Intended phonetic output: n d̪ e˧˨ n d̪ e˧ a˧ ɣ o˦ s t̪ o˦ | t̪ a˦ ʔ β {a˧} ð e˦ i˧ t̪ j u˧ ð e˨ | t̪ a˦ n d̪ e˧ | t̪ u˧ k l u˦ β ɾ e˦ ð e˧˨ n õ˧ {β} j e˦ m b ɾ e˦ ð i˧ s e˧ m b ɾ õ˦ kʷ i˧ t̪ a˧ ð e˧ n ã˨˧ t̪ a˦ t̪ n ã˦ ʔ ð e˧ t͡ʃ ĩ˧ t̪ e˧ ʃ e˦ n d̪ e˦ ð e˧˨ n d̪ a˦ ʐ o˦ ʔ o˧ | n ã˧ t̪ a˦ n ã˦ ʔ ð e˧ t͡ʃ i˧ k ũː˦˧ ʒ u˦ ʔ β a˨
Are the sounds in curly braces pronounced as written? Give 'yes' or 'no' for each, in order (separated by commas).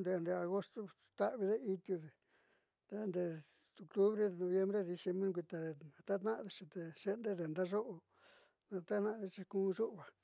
no, yes